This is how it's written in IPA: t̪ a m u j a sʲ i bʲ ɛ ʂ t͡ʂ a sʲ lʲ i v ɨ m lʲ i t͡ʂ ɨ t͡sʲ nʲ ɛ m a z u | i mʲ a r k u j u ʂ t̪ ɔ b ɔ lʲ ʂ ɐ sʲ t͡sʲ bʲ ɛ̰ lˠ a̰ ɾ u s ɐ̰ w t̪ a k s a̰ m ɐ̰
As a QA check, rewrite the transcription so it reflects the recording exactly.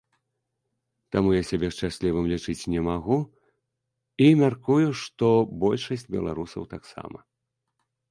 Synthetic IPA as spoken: t̪ a m u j a sʲ a bʲ ɛ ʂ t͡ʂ a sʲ lʲ i v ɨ m lʲ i t͡ʂ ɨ t͡sʲ nʲ ɛ m a ɣ u | i mʲ a r k u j u ʂ t̪ ɔ b ɔ lʲ ʂ ɐ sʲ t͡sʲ bʲ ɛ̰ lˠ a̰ ɾ u s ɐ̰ w t̪ a k s a̰ m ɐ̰

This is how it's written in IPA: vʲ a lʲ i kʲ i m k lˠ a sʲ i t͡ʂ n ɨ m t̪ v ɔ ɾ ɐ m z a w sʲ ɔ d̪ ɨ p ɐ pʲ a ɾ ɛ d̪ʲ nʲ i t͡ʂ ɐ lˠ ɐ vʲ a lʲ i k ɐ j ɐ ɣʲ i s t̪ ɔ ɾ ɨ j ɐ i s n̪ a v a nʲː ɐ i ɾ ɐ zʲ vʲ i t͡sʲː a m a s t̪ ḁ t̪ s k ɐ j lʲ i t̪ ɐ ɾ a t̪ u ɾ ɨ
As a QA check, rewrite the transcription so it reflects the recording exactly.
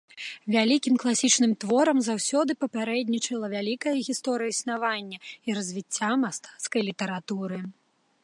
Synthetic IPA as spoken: vʲ a lʲ i kʲ i m k lˠ a sʲ i t͡ʂ n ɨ m t̪ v ɔ ɾ ɐ m z a w sʲ ɔ d̪ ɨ p ɐ pʲ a ɾ ɛ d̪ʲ nʲ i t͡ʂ ɐ lˠ ɐ vʲ a lʲ i k ɐ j ɐ ɣʲ i s t̪ ɔ ɾ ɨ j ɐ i s n̪ a v a nʲː ɐ i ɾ ɐ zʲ vʲ i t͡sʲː a m a s t̪ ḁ t̪ s k ɐ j lʲ i t̪ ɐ ɾ a t̪ u ɾ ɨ

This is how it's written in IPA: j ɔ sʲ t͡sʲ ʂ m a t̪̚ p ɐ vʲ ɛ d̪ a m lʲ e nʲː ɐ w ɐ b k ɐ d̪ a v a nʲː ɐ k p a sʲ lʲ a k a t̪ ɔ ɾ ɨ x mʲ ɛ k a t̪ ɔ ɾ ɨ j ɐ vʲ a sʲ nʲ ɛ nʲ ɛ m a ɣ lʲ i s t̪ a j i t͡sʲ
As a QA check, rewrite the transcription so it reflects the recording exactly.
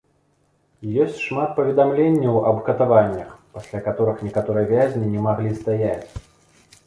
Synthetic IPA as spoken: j ɔ sʲ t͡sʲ ʂ m a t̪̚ p ɐ vʲ ɛ d̪ a m lʲ e nʲː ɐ w ɐ b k ɐ t̪ a v a nʲː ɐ x p a sʲ lʲ a k a t̪ ɔ ɾ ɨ x nʲ ɛ k a t̪ ɔ ɾ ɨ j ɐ vʲ a zʲ nʲ i nʲ ɛ m a ɣ lʲ i s t̪ a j a t͡sʲ

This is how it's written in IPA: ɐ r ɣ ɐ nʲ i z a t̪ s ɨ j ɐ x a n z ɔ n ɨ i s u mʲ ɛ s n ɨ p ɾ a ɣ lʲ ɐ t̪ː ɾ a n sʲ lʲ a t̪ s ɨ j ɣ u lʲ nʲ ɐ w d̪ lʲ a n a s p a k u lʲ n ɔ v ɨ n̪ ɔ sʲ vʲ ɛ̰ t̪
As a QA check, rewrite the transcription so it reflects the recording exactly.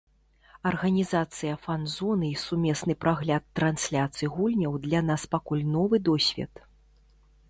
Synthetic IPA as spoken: ɐ r ɣ ɐ nʲ i z a t̪ s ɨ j ɐ f a n z ɔ n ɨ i s u mʲ ɛ s n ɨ p ɾ a ɣ lʲ a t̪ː ɾ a n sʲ lʲ a t̪ s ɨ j ɣ u lʲ nʲ ɐ w d̪ lʲ a n a s p a k u lʲ n ɔ v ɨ d̪ ɔ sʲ vʲ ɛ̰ t̪

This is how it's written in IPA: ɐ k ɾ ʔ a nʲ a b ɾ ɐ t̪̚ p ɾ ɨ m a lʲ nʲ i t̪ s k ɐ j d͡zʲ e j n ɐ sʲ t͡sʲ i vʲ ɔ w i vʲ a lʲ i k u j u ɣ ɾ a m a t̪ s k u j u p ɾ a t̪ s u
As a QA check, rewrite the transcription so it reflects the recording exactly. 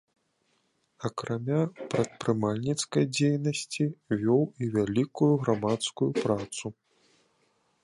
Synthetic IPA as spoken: ɐ k ɾ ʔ a mʲ a p ɾ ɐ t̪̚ p ɾ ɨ m a lʲ nʲ i t̪ s k ɐ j d͡zʲ e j n ɐ sʲ t͡sʲ i vʲ ɔ w i vʲ a lʲ i k u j u ɣ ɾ a m a t̪ s k u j u p ɾ a t̪ s u

